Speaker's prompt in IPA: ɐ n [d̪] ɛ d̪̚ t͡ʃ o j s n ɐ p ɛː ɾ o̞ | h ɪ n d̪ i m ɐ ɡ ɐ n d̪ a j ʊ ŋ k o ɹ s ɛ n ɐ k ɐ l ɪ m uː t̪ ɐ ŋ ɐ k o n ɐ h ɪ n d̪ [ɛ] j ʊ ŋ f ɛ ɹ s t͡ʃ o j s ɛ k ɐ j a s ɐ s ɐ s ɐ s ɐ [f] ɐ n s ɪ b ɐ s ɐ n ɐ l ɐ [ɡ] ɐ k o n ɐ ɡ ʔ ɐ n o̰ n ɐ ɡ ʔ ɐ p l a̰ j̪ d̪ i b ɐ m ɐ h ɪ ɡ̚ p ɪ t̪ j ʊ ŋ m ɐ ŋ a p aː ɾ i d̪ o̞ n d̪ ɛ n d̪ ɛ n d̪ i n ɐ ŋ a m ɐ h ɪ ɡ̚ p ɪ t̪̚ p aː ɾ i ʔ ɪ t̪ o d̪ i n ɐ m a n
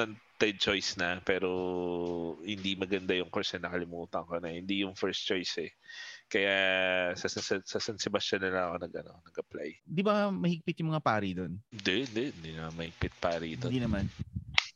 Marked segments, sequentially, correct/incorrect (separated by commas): incorrect, incorrect, incorrect, incorrect